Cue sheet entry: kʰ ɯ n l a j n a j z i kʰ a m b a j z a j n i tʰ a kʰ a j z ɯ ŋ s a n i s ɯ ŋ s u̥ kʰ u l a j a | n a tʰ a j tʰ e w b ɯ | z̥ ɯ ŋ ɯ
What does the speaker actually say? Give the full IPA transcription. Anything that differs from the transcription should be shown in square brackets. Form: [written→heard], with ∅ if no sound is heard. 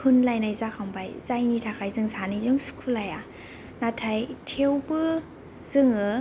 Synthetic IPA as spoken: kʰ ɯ n l a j n a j z [i→a] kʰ a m b a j z a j n i tʰ a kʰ a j z ɯ ŋ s a n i [s→z] ɯ ŋ s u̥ kʰ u l a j a | n a tʰ a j tʰ e w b ɯ | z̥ ɯ ŋ ɯ